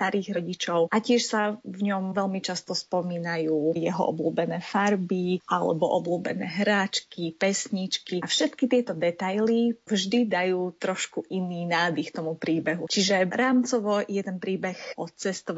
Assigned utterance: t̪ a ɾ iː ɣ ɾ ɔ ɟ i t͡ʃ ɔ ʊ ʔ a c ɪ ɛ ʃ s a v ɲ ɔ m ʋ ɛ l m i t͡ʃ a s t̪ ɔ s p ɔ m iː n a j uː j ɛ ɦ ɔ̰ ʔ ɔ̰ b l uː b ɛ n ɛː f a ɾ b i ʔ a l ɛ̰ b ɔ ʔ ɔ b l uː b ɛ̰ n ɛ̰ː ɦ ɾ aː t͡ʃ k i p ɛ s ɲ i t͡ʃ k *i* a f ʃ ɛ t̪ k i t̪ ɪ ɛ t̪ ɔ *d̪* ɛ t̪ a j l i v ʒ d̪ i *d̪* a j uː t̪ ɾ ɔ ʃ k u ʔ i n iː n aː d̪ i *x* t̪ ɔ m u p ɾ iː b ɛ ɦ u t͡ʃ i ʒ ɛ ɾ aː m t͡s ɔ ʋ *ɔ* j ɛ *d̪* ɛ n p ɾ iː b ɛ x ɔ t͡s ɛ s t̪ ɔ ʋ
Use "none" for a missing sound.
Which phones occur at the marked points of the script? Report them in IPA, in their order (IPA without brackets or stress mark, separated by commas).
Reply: i, d̪, d̪, x, ɔ, t̪